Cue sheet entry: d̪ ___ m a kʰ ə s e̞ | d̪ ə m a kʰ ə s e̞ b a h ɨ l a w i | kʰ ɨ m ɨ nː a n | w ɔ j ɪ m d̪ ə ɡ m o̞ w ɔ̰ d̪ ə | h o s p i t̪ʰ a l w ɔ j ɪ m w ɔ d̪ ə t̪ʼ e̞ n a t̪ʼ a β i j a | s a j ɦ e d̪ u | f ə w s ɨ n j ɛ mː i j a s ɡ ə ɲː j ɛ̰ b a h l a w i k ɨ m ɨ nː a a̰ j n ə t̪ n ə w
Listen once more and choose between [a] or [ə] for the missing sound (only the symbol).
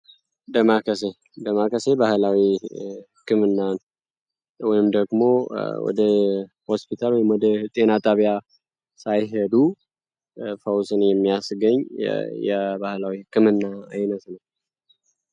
ə